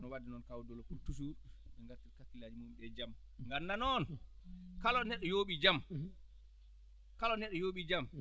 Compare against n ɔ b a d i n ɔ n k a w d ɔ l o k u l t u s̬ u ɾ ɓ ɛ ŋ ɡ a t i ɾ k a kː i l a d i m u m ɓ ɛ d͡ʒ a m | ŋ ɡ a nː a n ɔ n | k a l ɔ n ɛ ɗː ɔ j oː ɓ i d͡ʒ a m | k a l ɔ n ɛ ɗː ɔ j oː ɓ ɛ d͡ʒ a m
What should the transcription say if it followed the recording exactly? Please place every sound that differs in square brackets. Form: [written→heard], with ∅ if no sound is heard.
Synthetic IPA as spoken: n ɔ [b→w] a d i n ɔ n k a w d ɔ l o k u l t u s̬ u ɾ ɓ ɛ ŋ ɡ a t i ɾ k a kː i l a [d→d͡ʒ] i m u m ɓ ɛ d͡ʒ a m | ŋ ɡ a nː a n ɔ n | k a l ɔ n ɛ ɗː ɔ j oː ɓ i d͡ʒ a m | k a l ɔ n ɛ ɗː ɔ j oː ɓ [ɛ→i] d͡ʒ a m